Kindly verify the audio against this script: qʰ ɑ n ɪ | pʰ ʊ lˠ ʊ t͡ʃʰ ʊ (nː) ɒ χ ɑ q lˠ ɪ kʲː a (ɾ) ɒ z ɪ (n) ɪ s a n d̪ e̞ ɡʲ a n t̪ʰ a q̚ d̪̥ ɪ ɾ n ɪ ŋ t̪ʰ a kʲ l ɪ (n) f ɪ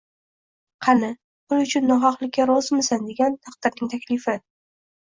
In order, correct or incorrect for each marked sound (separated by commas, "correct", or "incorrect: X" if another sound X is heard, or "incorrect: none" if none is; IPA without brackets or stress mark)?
correct, correct, incorrect: m, incorrect: none